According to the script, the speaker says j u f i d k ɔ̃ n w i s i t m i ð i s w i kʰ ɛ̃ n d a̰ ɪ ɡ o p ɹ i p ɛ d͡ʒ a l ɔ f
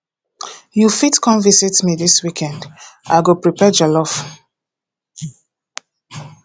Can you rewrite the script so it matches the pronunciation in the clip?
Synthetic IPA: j u f i t k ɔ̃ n v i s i t m i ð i s w i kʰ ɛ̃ n d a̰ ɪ ɡ o p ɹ i p ɛ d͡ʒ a l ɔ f